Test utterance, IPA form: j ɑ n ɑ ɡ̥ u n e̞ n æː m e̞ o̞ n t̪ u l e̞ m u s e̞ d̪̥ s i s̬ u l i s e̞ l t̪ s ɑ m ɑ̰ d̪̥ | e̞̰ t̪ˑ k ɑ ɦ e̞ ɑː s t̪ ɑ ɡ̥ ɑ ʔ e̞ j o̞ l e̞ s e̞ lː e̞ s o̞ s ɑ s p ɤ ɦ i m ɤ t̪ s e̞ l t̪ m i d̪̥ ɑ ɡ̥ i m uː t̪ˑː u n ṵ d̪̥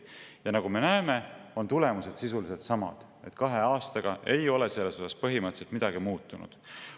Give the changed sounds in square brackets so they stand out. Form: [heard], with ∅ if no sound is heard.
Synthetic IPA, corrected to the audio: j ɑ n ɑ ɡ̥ u [m] e̞ n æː m e̞ o̞ n t̪ u l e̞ m u s e̞ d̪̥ s i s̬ u l i s e̞ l t̪ s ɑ m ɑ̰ d̪̥ | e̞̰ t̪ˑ k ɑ ɦ e̞ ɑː s t̪ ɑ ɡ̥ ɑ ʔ e̞ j o̞ l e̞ s e̞ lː e̞ s o̞ s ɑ s p ɤ ɦ i m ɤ t̪ s e̞ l t̪ m i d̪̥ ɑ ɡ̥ i m uː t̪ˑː u n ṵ d̪̥